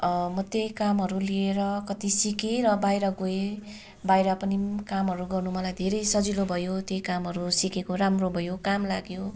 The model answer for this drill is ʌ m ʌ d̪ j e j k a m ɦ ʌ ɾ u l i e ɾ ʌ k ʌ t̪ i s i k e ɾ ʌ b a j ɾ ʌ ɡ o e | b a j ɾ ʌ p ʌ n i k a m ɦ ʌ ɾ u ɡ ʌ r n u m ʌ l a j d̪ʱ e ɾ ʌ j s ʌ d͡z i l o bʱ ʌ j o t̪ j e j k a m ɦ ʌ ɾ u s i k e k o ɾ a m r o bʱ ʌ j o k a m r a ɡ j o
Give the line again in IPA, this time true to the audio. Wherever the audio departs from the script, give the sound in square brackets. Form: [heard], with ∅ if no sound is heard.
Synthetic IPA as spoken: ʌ m ʌ [t̪] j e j k a m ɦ ʌ ɾ u l i e ɾ ʌ k ʌ t̪ i s i k e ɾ ʌ b a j ɾ ʌ ɡ o e | b a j ɾ ʌ p ʌ n i k a m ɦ ʌ ɾ u ɡ ʌ r n u m ʌ l a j d̪ʱ e ɾ ʌ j s ʌ d͡z i l o bʱ ʌ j o t̪ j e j k a m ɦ ʌ ɾ u s i k e k o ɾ a m r o bʱ ʌ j o k a m [l] a ɡ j o